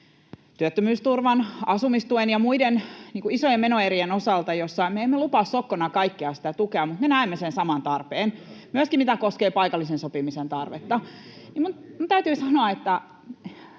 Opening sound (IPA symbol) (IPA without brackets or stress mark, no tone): t̪